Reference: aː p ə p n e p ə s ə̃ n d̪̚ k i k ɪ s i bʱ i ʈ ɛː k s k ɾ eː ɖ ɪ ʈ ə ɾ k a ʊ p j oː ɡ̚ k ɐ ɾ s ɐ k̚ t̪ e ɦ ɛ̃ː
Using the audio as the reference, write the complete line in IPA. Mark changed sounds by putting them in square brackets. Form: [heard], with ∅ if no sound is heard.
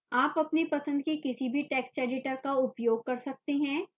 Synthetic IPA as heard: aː p [ɐ] p n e p [ɐ] s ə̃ n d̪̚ k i k ɪ s i bʱ i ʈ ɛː k s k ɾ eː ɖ ɪ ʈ ə ɾ k a ʊ p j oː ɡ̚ k ɐ ɾ s ɐ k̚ t̪ e ɦ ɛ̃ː